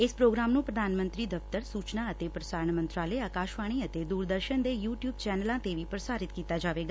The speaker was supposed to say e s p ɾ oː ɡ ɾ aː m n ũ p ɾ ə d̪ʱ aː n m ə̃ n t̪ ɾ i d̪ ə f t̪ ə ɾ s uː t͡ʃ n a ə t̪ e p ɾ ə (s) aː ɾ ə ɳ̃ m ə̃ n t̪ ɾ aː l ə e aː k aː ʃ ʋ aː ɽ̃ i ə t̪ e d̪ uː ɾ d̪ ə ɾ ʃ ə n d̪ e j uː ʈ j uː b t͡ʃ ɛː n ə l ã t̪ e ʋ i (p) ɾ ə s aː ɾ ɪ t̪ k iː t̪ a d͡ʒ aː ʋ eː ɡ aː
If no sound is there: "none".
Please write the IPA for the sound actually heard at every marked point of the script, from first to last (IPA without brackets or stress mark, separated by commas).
s, p